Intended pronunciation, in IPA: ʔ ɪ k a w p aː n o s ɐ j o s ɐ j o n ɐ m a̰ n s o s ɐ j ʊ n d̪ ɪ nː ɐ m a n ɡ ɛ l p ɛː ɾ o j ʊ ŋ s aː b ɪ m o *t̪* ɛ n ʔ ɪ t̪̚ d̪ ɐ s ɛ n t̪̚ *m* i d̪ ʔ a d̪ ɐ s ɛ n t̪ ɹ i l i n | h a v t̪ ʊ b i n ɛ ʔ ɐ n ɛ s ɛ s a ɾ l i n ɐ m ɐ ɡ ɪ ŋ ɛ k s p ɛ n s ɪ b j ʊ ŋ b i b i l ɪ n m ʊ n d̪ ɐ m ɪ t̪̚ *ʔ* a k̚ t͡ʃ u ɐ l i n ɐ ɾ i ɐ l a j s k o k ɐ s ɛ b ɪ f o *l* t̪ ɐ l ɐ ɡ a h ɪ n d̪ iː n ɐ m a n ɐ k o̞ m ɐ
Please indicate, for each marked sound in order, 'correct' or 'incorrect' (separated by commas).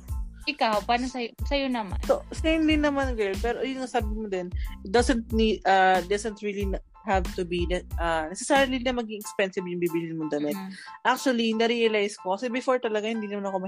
incorrect, incorrect, correct, incorrect